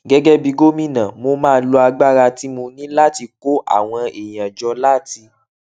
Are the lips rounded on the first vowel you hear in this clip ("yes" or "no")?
no